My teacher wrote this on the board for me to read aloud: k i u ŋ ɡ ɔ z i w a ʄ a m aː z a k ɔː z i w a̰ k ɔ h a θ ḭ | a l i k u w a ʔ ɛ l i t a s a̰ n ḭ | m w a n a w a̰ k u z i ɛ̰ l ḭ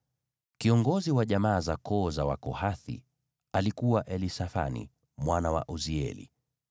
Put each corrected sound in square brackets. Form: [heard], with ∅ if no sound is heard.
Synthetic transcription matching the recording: k i [ɔ] ŋ ɡ ɔ z i w a ʄ a m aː z a k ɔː z [a] w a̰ k ɔ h a θ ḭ | a l i k u w a ʔ ɛ l i [s] a [f] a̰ n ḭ | m w a n a w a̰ [ʔ] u z i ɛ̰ l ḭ